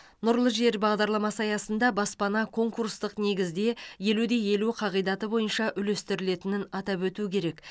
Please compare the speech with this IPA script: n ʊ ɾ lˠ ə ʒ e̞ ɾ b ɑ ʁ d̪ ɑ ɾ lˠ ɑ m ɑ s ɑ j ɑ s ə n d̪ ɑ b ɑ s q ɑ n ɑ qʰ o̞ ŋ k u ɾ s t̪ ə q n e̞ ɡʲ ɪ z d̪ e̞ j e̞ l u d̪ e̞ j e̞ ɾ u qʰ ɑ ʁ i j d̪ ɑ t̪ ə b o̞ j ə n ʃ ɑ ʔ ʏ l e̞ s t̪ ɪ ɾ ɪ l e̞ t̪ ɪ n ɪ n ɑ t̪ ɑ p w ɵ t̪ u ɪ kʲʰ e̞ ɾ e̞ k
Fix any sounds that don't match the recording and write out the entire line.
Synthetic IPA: n ʊ ɾ lˠ ə ʒ e̞ ɾ b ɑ ʁ d̪ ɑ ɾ lˠ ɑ m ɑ s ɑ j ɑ s ə n d̪ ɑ b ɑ s p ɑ n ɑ kʰ o̞ ŋ k u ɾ s t̪ ə q n e̞ ɡʲ ɪ z d̪ e̞ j e̞ l u d̪ e̞ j e̞ l u qʰ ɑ ʁ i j d̪ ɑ t̪ ə b o̞ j ə n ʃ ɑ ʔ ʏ l e̞ s t̪ ɪ ɾ ɪ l e̞ t̪ ɪ n ɪ n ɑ t̪ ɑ p w ɵ t̪ u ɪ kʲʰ e̞ ɾ e̞ k